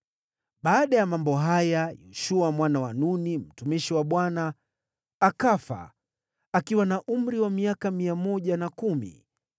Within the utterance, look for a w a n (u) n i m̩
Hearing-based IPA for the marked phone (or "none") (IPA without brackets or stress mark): u